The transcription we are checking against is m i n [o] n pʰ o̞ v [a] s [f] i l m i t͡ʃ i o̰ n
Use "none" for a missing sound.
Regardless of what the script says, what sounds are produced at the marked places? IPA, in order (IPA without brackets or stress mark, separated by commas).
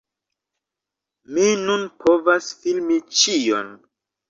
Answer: u, a, f